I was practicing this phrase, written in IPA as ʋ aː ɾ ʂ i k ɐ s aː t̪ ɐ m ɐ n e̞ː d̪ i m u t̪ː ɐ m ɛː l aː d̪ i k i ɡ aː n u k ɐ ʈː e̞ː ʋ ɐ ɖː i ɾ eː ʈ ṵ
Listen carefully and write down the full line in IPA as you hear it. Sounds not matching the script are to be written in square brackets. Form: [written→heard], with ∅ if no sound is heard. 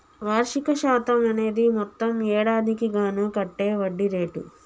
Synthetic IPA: ʋ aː ɾ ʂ i k ɐ [s→ʃ] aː t̪ ɐ m ɐ n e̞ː d̪ i m [u→ɔ] t̪ː ɐ m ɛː [l→ɽ] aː d̪ i k i ɡ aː n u k ɐ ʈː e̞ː ʋ ɐ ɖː i ɾ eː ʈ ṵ

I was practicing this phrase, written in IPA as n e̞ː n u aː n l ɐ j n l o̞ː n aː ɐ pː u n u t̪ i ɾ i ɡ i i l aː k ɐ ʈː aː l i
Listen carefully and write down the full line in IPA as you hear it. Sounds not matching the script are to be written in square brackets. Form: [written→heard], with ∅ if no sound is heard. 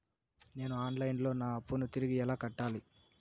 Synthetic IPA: n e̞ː n u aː n l ɐ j n l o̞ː n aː ɐ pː u n u t̪ i ɾ i ɡ i [i→ɛ] l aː k ɐ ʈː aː l i

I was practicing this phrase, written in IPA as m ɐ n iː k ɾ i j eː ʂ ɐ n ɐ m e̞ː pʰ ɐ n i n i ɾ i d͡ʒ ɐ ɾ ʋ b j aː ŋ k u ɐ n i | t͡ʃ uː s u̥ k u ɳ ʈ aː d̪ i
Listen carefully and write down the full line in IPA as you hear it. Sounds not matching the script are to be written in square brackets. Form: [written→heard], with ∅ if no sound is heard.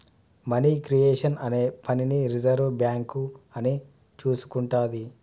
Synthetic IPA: m ɐ n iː k ɾ i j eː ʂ ɐ n ɐ [m→n] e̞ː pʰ ɐ n i n i ɾ i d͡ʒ ɐ ɾ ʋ b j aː ŋ k u ɐ n i | t͡ʃ uː s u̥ k u ɳ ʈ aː d̪ i

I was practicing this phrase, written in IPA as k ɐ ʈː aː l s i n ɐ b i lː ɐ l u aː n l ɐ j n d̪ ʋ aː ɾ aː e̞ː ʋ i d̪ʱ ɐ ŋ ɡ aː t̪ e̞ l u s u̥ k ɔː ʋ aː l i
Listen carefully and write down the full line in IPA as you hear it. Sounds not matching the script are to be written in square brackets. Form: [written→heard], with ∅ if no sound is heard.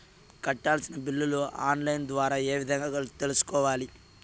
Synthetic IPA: k ɐ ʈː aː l s i n ɐ b i lː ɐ l u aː n l ɐ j n d̪ ʋ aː ɾ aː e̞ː ʋ i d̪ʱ ɐ ŋ ɡ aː t̪ e̞ l u s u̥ k ɔː ʋ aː l i

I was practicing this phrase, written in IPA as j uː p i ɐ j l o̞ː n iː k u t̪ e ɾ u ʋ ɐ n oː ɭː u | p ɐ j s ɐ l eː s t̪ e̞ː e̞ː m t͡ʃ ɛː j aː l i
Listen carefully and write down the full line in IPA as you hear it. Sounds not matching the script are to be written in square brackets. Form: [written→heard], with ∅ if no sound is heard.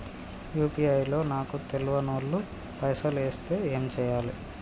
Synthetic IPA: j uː p i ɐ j l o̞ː n [iː→aː] k u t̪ e [ɾ→l] u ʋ ɐ n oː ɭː u | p ɐ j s ɐ l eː s t̪ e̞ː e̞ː m t͡ʃ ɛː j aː l i

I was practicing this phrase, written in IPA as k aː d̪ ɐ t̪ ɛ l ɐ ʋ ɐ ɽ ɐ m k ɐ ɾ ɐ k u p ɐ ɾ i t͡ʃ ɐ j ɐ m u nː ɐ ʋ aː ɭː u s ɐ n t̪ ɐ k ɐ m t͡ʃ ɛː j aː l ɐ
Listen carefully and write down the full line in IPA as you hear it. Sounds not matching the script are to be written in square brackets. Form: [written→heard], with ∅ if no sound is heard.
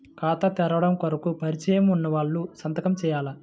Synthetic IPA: k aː [d̪→t̪] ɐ t̪ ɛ [l→ɾ] ɐ ʋ ɐ ɽ ɐ m k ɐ ɾ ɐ k u p ɐ ɾ i t͡ʃ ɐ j ɐ m u nː ɐ ʋ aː ɭː u s ɐ n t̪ ɐ k ɐ m t͡ʃ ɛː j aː l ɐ

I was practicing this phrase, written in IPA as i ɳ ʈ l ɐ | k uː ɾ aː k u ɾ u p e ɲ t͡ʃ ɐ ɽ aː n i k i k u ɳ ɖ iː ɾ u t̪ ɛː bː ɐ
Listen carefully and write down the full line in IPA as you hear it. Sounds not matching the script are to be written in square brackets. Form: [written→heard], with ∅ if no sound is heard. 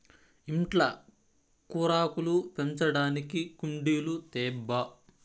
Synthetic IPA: i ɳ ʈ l ɐ | k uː ɾ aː k u [ɾ→l] u p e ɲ t͡ʃ ɐ ɽ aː n i k i k u ɳ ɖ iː [ɾ→l] u t̪ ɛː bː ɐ

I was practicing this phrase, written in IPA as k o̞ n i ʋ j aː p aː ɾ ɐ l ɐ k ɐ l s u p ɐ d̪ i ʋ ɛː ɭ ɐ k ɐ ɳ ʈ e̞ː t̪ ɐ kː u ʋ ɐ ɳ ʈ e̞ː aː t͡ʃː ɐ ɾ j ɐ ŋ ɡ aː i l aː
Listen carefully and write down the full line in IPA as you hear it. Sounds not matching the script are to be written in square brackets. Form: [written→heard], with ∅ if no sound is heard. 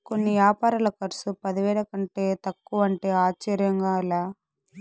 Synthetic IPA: k o̞ [n→nː] i ʋ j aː p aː ɾ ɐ l ɐ k ɐ [l→ɾ] s u p ɐ d̪ i ʋ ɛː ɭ ɐ k ɐ ɳ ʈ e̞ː t̪ ɐ kː u ʋ ɐ ɳ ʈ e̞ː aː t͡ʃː ɐ ɾ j ɐ ŋ ɡ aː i l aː

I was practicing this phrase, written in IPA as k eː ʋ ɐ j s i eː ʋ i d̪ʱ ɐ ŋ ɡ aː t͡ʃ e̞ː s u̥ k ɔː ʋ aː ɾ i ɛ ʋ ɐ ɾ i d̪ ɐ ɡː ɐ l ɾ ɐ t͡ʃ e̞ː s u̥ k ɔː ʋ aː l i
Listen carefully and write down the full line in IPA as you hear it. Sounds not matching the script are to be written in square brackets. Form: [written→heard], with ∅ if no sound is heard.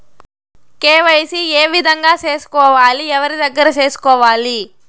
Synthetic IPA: k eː ʋ ɐ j s i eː ʋ i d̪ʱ ɐ ŋ ɡ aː t͡ʃ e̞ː s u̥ k ɔː ʋ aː [ɾ→l] i ɛ ʋ ɐ ɾ i d̪ ɐ ɡː ɐ [l→∅] ɾ ɐ t͡ʃ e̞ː s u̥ k ɔː ʋ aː l i

